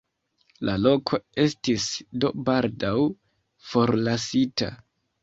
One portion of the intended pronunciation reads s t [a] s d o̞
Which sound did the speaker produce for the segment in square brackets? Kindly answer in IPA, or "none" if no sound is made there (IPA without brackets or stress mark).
i